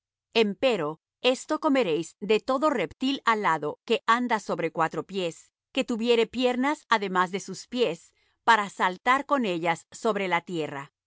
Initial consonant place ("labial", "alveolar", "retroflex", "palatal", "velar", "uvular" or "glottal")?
labial